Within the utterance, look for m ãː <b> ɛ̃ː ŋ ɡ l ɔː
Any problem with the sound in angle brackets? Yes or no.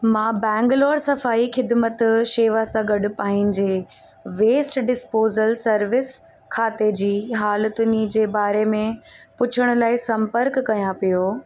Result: no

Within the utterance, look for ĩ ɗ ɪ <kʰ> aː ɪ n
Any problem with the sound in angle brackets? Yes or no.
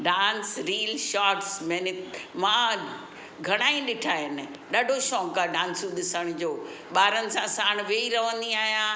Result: yes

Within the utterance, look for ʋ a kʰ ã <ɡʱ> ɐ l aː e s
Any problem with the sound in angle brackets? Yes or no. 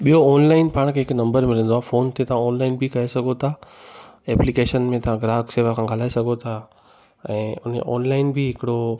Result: no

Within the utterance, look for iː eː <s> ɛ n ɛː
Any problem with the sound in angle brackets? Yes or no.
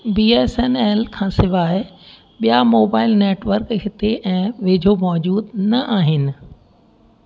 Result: no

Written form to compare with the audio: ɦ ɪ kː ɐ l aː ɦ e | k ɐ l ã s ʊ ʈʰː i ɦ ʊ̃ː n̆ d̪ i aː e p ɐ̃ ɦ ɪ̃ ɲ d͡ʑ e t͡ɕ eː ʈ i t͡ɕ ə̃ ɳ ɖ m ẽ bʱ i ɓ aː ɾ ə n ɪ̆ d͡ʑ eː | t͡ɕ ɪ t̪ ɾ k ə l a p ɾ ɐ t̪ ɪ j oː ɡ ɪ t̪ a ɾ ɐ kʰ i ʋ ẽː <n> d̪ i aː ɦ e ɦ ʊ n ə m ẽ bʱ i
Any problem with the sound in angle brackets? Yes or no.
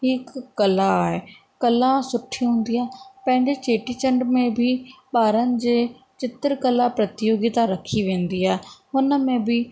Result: no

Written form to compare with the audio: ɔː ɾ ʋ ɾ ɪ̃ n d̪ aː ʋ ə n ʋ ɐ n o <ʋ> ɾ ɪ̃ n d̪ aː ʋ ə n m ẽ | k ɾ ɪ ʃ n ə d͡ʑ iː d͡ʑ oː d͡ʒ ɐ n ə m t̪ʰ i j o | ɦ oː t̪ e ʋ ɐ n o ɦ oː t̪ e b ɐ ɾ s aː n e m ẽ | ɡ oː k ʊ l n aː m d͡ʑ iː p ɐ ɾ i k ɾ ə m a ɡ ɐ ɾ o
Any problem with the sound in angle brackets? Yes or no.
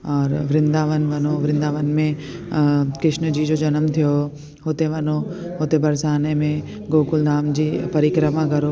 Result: no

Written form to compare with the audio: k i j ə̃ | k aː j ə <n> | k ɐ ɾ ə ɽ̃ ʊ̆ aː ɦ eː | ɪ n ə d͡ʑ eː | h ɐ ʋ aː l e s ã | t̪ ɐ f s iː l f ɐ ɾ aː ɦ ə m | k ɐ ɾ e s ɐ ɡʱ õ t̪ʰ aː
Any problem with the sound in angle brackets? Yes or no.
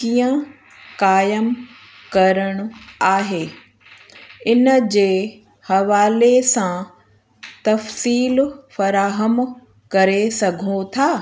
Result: yes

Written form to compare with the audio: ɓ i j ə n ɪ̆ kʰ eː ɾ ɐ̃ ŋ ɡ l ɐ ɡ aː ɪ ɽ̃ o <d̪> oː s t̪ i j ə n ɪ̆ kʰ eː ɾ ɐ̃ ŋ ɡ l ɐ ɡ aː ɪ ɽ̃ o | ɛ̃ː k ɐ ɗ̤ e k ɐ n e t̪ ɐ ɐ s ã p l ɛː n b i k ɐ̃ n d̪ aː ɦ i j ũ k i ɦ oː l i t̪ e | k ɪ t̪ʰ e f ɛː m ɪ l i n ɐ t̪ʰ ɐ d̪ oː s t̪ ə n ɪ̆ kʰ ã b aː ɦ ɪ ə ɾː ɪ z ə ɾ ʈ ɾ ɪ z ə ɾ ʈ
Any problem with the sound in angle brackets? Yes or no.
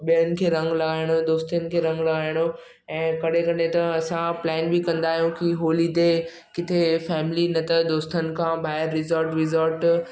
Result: no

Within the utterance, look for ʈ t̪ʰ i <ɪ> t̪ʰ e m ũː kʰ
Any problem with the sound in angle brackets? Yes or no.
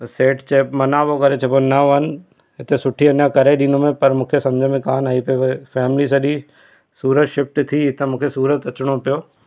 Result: no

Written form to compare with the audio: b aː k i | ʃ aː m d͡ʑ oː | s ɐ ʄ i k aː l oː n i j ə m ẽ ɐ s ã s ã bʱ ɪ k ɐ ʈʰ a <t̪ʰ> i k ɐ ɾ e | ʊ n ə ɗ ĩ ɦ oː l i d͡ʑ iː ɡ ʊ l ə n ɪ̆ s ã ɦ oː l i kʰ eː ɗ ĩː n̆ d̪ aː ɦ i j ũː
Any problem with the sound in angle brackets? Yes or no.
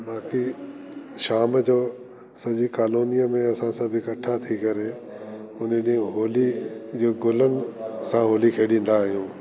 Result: no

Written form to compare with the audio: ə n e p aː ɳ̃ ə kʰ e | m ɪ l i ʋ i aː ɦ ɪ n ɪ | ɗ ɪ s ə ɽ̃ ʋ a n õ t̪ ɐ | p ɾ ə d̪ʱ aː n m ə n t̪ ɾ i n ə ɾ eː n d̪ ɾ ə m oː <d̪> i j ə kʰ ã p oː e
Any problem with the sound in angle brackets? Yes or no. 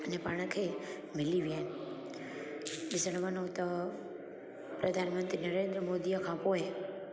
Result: no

